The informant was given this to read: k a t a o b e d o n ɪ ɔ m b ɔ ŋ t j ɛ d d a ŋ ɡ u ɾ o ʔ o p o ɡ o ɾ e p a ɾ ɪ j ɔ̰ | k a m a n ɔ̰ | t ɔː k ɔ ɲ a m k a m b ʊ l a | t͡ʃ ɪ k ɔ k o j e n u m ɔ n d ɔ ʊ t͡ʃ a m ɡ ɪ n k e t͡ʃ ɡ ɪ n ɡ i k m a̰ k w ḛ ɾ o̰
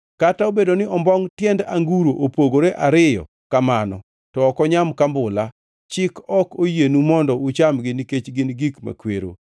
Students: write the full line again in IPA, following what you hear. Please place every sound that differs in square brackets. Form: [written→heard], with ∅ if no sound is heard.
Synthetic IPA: k a t a o b e d o n ɪ ɔ m b ɔ ŋ t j ɛ [d→n] d a ŋ ɡ u ɾ o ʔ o p o ɡ o ɾ e [p→ʔ] a ɾ ɪ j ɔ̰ | k a m a n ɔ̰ | t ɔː k ɔ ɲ a m k a m b ʊ l a | t͡ʃ ɪ k ɔ k o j e n u m ɔ n d ɔ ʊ t͡ʃ a m ɡ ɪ n k e t͡ʃ ɡ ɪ n ɡ i k m a̰ k w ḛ ɾ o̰